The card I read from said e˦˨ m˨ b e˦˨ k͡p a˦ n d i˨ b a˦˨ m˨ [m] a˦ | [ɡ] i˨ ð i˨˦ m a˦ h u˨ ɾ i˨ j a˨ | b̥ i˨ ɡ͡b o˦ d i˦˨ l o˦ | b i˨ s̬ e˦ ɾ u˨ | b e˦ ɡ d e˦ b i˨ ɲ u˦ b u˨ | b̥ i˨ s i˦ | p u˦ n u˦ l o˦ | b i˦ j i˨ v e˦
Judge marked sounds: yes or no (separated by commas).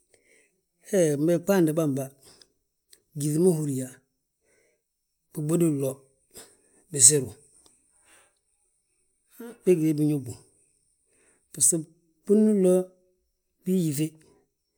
no, yes